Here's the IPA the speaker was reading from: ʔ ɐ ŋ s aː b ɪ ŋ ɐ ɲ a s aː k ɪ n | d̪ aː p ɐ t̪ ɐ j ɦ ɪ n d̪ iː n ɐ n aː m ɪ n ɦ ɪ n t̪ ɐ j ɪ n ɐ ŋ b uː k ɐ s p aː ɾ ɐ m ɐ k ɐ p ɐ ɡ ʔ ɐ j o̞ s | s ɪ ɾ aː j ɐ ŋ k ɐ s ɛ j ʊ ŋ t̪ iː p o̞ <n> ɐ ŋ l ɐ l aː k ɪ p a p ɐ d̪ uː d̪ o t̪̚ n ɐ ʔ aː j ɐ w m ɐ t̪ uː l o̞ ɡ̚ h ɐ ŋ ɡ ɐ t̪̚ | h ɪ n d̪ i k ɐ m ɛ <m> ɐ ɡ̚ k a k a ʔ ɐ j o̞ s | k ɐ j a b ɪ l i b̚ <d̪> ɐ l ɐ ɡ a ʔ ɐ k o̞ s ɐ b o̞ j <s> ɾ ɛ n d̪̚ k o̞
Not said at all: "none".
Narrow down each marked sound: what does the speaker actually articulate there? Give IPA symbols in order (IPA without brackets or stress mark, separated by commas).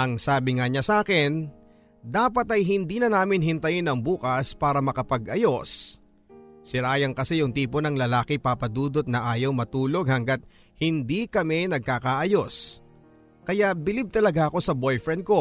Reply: n, n, t̪, f